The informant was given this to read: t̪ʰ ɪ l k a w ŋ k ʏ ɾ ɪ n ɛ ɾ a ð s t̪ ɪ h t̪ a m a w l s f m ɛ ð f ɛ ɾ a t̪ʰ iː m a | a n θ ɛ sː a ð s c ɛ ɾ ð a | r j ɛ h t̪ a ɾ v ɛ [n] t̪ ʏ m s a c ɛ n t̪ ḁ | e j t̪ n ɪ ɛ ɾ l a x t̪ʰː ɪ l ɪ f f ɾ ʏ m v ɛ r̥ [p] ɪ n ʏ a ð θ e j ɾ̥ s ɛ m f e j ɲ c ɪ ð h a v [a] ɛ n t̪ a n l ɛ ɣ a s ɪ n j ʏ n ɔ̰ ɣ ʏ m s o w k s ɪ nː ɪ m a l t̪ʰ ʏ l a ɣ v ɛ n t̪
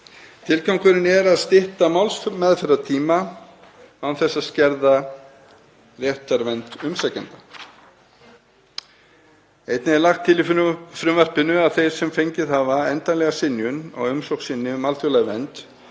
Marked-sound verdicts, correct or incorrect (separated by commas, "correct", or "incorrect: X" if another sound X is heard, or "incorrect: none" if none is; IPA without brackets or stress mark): correct, correct, correct